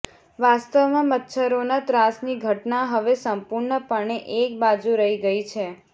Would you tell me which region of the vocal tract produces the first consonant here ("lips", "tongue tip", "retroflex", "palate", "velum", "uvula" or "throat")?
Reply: lips